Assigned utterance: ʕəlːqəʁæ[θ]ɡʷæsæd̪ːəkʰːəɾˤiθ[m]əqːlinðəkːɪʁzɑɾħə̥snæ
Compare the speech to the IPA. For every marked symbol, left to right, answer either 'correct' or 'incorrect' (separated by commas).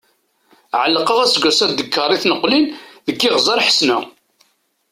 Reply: incorrect, incorrect